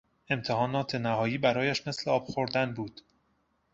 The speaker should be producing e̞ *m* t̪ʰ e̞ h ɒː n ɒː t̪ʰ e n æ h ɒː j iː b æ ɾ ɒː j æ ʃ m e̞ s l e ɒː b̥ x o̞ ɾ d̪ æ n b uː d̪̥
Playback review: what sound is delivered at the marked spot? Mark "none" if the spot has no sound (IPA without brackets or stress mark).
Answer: m